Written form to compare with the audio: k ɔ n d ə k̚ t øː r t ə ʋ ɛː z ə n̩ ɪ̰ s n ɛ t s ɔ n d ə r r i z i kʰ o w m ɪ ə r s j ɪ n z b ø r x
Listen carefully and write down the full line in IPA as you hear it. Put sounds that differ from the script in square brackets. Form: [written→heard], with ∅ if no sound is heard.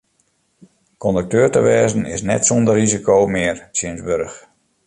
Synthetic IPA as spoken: k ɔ n d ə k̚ t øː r t ə ʋ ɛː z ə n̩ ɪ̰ s n ɛ t s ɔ n d ə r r i z i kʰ o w m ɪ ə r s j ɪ n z b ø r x